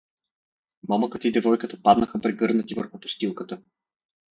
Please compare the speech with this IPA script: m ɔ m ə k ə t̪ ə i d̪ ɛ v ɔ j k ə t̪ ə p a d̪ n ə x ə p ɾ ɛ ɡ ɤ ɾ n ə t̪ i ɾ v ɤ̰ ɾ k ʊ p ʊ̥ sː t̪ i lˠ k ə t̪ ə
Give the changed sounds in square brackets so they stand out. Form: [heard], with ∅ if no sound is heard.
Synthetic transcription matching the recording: m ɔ m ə k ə t̪ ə i d̪ ɛ v ɔ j k ə t̪ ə p a d̪ n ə x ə p ɾ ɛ ɡ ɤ ɾ n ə t̪ i [∅] v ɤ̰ ɾ [x] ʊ p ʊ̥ [s] t̪ i lˠ k ə t̪ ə